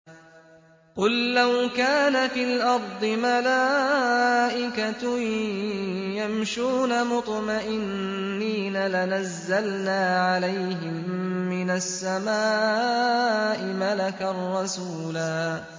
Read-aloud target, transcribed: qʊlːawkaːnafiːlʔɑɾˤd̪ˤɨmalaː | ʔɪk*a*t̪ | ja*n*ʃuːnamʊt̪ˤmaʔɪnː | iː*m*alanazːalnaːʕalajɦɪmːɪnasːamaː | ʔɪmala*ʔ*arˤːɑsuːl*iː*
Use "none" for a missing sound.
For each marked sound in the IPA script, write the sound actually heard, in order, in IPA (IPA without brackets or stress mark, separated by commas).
a, m, n, k, aː